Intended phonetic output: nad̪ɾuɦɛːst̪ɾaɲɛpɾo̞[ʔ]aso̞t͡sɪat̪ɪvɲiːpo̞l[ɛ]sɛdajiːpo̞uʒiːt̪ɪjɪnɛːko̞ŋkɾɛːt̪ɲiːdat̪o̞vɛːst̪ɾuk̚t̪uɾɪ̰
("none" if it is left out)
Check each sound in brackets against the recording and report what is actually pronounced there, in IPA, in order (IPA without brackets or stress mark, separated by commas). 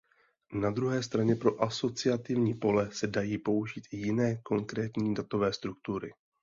ʔ, ɛ